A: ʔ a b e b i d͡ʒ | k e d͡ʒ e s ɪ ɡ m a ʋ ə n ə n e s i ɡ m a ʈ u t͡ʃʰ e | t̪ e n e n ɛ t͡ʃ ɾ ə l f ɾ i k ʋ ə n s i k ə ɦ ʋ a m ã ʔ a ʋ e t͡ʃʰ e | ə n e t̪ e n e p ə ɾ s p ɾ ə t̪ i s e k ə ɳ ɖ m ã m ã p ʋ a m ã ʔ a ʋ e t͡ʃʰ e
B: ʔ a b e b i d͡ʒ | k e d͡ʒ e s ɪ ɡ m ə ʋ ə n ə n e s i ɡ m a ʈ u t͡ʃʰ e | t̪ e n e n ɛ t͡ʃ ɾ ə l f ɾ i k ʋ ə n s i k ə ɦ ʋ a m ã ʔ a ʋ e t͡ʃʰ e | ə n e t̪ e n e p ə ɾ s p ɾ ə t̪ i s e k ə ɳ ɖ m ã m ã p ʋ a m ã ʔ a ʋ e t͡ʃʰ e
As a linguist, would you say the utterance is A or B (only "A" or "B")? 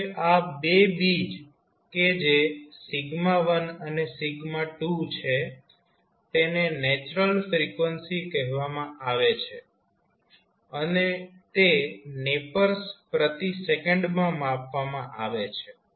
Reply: A